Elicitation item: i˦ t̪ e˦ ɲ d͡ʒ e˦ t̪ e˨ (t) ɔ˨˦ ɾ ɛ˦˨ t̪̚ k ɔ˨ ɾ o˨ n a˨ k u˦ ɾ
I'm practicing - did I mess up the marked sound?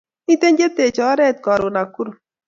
yes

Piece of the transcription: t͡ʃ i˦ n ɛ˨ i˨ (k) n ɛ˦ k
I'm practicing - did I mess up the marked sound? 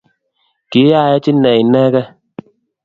yes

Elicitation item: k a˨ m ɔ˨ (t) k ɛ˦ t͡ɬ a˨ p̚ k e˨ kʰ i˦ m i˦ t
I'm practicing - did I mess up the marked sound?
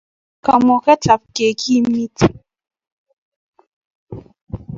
yes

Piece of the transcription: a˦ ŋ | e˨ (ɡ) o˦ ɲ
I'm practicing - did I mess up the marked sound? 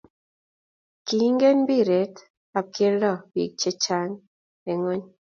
yes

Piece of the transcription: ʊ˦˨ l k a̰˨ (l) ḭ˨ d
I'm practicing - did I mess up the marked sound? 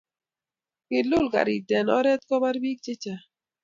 yes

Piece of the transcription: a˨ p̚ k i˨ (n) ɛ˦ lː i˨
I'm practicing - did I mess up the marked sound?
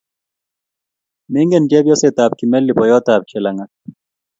yes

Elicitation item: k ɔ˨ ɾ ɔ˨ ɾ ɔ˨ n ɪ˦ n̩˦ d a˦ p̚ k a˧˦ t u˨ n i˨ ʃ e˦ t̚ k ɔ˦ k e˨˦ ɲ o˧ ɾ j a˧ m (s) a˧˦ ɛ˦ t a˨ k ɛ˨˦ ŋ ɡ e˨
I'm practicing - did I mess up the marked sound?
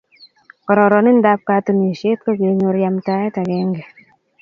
yes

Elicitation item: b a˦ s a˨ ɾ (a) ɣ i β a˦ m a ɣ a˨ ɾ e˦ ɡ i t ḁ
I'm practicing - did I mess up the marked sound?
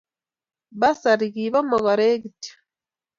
yes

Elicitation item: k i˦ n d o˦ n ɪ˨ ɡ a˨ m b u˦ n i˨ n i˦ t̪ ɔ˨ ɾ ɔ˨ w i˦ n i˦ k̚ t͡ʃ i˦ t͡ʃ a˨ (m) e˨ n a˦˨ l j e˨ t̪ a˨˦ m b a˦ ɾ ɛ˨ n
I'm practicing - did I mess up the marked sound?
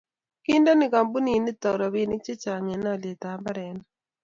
yes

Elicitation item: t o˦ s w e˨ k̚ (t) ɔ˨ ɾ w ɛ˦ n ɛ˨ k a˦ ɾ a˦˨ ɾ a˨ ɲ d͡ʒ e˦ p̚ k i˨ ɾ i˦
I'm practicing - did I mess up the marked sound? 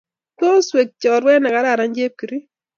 yes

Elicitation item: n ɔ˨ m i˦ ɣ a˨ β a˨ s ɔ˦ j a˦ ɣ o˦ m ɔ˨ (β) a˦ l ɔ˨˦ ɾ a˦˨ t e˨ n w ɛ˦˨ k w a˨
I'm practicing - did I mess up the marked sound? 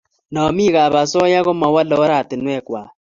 yes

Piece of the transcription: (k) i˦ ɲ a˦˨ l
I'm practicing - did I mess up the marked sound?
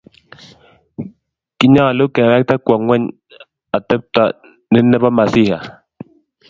no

